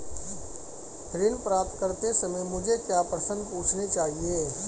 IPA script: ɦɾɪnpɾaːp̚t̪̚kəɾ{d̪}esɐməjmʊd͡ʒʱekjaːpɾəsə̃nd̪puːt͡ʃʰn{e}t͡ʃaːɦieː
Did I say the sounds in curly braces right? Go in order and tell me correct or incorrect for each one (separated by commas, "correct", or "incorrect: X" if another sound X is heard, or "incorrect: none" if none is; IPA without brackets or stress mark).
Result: incorrect: t̪, correct